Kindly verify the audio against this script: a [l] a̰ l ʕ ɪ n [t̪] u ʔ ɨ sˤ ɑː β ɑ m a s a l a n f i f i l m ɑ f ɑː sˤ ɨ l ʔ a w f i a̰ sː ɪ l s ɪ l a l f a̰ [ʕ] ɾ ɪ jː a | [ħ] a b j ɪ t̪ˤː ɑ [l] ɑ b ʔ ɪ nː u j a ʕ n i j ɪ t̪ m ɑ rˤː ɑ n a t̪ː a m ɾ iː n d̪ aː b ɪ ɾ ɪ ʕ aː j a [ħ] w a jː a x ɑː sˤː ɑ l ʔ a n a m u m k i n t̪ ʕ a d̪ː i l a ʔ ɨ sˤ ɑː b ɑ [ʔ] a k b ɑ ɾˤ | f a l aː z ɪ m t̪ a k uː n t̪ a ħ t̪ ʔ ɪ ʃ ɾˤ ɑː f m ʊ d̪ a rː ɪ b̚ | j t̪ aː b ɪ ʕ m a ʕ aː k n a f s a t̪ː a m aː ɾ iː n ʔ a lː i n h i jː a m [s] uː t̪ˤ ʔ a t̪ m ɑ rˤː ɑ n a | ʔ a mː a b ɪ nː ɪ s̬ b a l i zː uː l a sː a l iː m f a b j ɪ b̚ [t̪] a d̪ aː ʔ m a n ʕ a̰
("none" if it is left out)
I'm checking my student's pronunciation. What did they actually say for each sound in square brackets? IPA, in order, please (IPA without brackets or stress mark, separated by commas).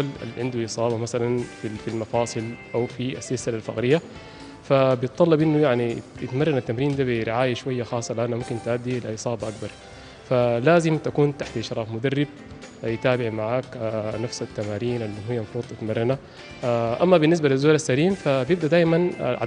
l, d̪, ɣ, f, lː, ʃ, ʔ, f, d̪